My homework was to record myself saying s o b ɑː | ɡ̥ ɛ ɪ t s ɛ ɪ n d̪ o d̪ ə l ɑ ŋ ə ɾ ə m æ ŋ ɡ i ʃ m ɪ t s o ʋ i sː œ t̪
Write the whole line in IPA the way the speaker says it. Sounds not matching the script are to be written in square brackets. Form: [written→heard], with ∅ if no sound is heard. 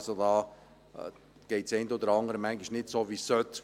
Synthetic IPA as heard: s o [b→d] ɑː | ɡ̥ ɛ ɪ t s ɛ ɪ n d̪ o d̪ ə [l→ɾ] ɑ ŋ ə ɾ ə m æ ŋ ɡ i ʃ [m→n] ɪ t s o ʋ i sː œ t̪